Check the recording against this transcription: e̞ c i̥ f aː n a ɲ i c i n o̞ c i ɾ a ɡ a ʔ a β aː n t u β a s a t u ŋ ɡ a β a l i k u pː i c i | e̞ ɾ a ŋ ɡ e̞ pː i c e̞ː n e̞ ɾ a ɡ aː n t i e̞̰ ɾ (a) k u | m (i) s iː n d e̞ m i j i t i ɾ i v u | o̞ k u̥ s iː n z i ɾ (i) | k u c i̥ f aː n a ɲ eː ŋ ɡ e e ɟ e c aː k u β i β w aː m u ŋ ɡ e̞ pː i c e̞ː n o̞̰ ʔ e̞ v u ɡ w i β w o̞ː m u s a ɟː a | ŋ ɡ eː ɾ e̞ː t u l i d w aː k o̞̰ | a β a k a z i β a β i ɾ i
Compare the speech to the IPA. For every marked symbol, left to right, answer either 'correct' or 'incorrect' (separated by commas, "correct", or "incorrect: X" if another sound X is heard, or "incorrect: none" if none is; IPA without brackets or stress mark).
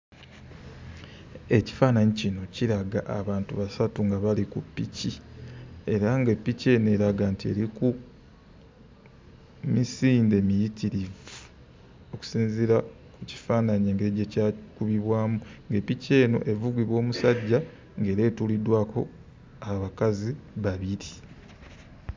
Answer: incorrect: i, correct, incorrect: a